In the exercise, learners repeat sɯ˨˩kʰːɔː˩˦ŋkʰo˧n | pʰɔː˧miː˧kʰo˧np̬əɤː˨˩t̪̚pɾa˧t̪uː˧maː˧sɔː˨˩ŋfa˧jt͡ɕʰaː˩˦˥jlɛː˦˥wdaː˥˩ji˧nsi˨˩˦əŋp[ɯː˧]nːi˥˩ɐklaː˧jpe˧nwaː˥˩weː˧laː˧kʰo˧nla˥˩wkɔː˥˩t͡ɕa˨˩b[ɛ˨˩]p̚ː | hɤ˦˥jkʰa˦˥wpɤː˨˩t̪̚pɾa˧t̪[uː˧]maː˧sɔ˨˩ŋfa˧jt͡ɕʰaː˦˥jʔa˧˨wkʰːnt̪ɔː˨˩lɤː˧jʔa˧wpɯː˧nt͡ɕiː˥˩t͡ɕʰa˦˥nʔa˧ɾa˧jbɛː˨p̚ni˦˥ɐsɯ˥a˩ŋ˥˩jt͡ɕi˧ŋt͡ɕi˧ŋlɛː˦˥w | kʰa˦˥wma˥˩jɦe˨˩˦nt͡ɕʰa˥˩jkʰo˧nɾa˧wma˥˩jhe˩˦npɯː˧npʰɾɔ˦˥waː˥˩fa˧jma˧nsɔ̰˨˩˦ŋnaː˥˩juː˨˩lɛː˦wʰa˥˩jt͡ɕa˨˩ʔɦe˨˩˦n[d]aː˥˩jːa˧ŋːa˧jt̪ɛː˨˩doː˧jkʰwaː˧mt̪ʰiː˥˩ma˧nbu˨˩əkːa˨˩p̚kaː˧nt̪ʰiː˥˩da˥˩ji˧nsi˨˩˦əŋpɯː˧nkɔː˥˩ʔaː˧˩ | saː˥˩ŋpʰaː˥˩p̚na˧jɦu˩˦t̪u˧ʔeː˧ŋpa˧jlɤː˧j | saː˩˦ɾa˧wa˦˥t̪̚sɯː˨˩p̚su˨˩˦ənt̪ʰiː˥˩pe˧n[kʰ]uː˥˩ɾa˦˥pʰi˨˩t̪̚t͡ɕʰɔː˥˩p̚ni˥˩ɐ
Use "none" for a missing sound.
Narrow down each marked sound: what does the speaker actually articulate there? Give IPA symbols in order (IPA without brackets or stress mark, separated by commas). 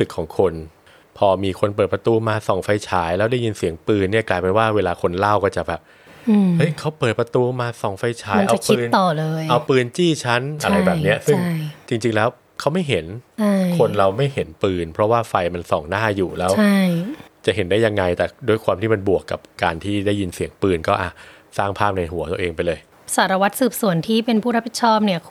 ɯː˧, ɛː˨˩, uː˧, d, pʰ